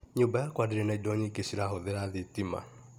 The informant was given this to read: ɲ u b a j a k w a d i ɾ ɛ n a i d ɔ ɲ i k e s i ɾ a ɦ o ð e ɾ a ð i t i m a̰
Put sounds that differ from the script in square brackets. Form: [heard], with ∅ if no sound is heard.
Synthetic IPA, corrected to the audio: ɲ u b a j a k w a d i ɾ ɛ n a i d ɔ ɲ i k e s i ɾ a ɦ o ð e ɾ a ð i t i m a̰